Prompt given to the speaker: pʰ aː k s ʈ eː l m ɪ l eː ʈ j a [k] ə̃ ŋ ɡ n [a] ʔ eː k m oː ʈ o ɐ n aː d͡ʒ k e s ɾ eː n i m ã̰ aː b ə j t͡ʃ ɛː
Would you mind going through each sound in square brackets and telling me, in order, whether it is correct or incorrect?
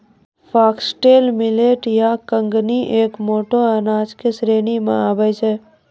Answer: correct, incorrect: i

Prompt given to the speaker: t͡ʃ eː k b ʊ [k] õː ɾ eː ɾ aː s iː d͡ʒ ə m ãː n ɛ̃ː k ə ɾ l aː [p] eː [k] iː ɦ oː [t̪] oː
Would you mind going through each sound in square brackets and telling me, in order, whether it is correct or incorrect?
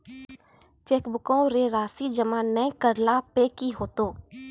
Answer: correct, correct, correct, correct

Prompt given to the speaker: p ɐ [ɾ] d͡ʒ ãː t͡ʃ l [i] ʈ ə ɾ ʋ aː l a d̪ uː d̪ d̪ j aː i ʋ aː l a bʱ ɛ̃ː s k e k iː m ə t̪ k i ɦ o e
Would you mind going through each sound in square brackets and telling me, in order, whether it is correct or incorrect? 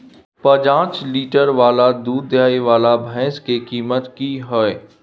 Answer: incorrect: none, incorrect: iː

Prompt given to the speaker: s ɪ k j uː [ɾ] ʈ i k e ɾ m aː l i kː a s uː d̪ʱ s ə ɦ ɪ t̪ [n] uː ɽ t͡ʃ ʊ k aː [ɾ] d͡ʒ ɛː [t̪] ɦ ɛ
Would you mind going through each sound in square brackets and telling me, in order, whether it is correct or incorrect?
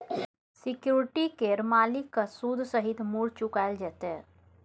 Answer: correct, incorrect: m, incorrect: l, correct

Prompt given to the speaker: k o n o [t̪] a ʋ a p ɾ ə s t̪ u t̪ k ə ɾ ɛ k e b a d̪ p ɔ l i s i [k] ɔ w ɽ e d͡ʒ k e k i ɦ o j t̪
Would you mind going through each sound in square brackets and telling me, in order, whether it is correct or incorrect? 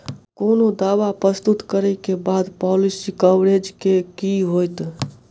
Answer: incorrect: d̪, correct

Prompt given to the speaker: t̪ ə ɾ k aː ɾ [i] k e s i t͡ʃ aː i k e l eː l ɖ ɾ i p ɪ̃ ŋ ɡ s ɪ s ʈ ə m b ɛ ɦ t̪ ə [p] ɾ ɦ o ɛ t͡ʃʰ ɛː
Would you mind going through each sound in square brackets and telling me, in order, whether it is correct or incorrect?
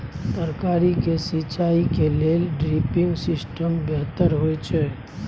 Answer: correct, incorrect: none

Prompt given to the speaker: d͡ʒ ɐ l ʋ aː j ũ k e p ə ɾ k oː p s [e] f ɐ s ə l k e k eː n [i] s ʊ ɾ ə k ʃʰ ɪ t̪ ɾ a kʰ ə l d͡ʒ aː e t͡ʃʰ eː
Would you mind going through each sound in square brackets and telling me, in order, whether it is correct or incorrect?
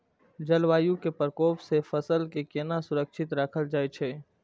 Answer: correct, incorrect: a

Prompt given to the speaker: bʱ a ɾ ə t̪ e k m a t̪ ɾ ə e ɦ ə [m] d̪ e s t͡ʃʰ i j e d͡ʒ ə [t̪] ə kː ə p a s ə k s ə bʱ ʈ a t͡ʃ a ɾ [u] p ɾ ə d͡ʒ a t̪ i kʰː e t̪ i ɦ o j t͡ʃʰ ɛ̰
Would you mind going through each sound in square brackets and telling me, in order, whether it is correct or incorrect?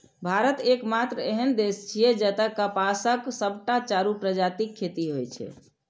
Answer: incorrect: n, correct, correct

